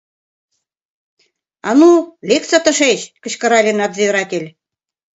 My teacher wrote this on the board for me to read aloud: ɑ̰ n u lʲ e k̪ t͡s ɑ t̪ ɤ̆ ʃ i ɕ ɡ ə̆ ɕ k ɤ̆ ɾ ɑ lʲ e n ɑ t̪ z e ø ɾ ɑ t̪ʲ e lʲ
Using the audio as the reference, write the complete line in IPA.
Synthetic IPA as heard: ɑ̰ n u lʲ e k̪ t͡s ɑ t̪ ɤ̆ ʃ e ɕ k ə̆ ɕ k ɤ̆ ɾ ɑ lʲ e n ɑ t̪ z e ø ɾ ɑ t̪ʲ e lʲ